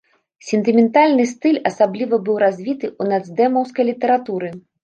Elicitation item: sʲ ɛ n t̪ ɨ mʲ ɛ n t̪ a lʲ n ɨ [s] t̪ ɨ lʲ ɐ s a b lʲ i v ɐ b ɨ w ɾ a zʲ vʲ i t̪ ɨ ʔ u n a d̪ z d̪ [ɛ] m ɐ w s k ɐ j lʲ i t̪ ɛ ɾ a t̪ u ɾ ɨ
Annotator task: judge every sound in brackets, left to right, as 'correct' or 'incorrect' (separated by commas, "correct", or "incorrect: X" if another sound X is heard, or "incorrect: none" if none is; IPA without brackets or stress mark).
correct, correct